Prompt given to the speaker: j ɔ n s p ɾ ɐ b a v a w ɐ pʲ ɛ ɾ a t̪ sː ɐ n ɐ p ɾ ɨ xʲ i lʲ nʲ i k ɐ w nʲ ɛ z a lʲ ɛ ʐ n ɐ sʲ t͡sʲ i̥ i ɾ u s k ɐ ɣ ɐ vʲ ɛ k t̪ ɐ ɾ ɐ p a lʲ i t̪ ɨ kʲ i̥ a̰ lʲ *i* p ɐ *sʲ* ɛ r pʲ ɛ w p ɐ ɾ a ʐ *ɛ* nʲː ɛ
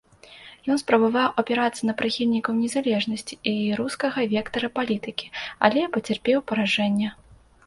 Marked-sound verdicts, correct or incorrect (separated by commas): incorrect, incorrect, correct